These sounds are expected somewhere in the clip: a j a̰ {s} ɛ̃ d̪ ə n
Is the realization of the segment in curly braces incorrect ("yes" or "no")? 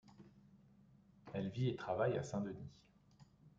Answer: no